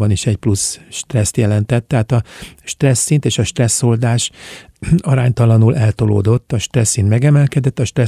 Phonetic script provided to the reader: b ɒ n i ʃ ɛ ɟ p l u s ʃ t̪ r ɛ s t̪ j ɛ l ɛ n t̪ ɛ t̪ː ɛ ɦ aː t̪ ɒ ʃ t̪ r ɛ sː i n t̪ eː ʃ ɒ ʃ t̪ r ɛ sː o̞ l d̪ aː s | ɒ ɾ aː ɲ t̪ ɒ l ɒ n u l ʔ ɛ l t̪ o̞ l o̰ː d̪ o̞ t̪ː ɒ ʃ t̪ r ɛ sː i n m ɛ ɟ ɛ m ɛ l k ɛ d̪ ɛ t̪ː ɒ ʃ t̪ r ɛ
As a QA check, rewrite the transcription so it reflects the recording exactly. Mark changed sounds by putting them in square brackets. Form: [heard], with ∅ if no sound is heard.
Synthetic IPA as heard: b ɒ n i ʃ ɛ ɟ p l u s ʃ t̪ r ɛ s t̪ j ɛ l ɛ n t̪ ɛ t̪ː ɛ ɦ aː t̪ ɒ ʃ t̪ r ɛ sː i n t̪ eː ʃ ɒ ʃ t̪ r ɛ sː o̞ l d̪ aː [ʃ] | ɒ ɾ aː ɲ t̪ ɒ l ɒ n u l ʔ ɛ l t̪ o̞ l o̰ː d̪ o̞ t̪ː ɒ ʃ t̪ r ɛ sː i n m ɛ [ɡ] ɛ m ɛ l k ɛ d̪ ɛ t̪ː ɒ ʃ t̪ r ɛ